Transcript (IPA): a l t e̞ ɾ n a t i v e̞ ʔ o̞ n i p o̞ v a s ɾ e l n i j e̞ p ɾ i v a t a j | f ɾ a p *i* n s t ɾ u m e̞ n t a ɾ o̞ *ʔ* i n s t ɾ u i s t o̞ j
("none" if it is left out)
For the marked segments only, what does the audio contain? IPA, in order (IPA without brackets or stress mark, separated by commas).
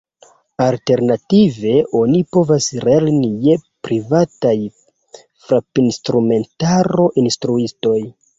i, ʔ